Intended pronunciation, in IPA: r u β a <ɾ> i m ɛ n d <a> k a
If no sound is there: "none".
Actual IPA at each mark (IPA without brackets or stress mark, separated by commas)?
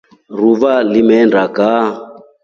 l, a